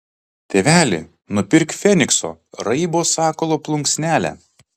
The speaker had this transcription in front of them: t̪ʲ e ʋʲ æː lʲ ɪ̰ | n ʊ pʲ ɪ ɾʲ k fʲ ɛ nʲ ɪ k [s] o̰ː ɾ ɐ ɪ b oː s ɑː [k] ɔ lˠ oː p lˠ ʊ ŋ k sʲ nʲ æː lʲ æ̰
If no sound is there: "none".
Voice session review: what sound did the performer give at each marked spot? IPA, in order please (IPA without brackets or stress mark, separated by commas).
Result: s, k